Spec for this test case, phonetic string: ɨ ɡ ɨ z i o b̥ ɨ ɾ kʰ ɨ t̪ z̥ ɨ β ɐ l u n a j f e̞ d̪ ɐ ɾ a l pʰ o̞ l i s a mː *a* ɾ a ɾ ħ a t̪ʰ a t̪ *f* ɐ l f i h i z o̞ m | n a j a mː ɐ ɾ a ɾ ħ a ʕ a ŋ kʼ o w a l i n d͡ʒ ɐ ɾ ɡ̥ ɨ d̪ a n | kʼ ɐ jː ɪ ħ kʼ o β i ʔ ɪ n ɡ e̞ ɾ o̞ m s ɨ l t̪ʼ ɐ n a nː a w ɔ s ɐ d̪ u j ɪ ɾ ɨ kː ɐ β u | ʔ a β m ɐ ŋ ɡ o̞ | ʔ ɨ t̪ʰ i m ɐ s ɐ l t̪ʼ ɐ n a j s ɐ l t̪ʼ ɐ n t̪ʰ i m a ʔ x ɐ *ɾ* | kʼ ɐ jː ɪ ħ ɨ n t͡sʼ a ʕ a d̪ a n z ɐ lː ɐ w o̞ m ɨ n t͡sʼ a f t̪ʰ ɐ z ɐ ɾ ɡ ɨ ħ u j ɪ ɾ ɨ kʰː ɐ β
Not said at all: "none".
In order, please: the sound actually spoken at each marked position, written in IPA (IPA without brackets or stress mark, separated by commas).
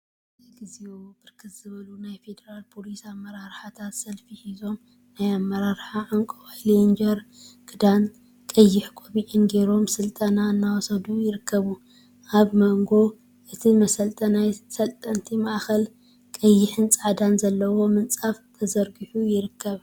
ɐ, s, l